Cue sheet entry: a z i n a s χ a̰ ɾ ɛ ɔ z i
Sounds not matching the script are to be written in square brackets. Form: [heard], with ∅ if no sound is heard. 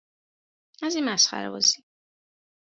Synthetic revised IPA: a z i [m] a s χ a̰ ɾ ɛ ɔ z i